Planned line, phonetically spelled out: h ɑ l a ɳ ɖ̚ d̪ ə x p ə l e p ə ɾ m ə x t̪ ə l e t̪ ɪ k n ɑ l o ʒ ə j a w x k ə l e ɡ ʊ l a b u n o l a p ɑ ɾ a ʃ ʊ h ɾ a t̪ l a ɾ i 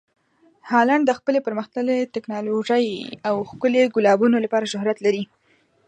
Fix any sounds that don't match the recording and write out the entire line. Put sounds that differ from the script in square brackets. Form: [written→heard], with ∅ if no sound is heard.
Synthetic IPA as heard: h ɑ l a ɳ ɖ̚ d̪ ə x p ə l e p ə ɾ m ə x t̪ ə l e t̪ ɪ k n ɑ l o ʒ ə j a w x k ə l e ɡ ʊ l [a→ɑ] b u n o l a p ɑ ɾ a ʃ ʊ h ɾ a t̪ l a ɾ i